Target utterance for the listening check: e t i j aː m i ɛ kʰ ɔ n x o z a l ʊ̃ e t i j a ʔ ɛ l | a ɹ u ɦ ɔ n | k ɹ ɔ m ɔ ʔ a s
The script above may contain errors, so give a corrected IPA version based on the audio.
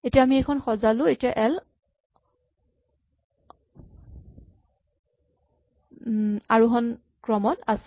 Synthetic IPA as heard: e t i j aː m i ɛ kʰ ɔ n x ɔ z a l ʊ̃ e t i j a ʔ ɛ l | a ɹ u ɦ ɔ n | k ɹ ɔ m ɔ t a s